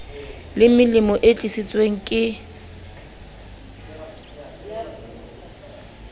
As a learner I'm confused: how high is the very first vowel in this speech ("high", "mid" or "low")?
high